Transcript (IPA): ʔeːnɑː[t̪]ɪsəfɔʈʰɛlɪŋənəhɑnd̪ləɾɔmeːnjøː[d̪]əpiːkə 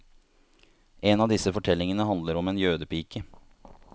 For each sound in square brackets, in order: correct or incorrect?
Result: incorrect: d̪, correct

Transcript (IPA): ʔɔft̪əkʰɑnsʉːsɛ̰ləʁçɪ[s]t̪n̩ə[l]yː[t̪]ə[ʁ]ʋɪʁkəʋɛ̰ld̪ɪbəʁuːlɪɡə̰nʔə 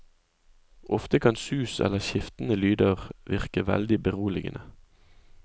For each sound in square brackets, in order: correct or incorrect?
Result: incorrect: f, correct, incorrect: d̪, correct

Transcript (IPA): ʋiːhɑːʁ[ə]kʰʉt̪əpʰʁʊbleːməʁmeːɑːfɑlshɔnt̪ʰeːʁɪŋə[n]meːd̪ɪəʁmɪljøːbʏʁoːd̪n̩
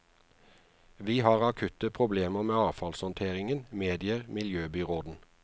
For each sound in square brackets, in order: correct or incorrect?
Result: incorrect: ɑ, correct

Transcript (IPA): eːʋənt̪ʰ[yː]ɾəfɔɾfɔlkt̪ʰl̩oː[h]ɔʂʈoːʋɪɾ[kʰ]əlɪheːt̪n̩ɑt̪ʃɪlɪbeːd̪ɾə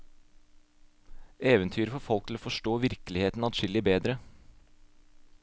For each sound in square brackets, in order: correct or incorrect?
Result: correct, incorrect: f, incorrect: k

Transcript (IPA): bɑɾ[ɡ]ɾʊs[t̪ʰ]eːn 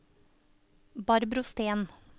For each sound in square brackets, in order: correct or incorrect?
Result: incorrect: b, incorrect: t̪

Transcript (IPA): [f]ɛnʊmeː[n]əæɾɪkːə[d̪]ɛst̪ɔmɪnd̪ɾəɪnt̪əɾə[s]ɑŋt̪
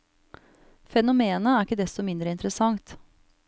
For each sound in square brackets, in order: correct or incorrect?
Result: correct, correct, correct, correct

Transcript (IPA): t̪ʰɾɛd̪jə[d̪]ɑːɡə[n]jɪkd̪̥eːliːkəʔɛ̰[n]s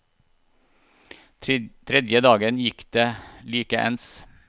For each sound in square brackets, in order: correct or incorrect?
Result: correct, correct, correct

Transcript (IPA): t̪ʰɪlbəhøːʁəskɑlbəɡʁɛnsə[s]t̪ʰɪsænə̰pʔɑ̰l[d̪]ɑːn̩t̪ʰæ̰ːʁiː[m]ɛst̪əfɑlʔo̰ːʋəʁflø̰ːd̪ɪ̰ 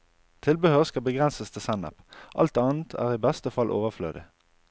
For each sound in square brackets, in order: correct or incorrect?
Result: correct, incorrect: t̪, incorrect: b

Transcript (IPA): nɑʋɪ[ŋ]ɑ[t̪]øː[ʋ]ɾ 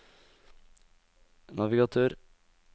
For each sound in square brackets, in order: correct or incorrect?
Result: incorrect: ɡ, incorrect: t̪ʰ, incorrect: none

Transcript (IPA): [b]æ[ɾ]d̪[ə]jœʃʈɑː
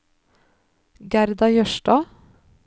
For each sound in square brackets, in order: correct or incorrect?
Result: incorrect: ɡ, correct, incorrect: ɑ

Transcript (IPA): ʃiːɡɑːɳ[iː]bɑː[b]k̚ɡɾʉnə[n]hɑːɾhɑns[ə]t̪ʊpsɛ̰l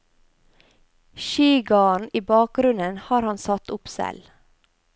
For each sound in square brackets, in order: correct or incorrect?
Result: correct, incorrect: none, correct, incorrect: ɑ

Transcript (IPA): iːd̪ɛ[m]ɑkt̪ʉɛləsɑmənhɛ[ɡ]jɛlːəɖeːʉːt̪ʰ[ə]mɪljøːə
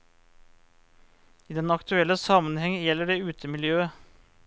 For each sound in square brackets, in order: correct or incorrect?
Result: incorrect: n, incorrect: ŋ, correct

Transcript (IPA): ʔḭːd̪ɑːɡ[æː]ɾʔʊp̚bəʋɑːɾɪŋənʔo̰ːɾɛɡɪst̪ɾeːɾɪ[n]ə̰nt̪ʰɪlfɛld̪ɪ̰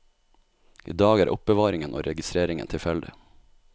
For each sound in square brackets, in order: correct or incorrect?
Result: correct, incorrect: ŋ

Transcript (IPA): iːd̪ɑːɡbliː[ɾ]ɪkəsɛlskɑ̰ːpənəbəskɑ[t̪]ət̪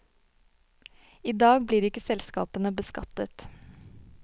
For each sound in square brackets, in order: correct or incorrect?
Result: correct, correct

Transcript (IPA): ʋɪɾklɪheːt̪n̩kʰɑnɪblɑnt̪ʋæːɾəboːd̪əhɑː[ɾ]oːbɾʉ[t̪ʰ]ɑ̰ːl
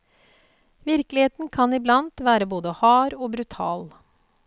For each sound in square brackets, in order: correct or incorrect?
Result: correct, correct

